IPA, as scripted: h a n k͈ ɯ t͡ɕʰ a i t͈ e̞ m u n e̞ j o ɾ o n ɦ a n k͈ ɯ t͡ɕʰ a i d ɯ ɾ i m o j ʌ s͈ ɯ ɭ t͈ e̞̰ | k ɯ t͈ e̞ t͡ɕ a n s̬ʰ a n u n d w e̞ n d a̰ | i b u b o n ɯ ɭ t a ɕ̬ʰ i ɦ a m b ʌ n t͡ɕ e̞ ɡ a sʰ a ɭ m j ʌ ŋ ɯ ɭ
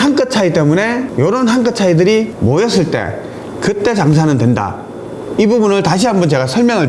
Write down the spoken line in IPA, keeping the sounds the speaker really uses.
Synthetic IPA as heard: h a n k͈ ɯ t͡ɕʰ a i t͈ e̞ m u n e̞ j o ɾ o n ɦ a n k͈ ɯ t͡ɕʰ a i d ɯ ɾ i m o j ʌ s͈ ɯ ɭ t͈ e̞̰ | k ɯ t͈ e̞ t͡ɕ a ŋ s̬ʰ a n ɯ n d w e̞ n d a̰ | i b u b u n ɯ ɭ t a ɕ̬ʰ i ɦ a m b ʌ n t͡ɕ e̞ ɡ a sʰ ʌ ɭ m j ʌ ŋ ɯ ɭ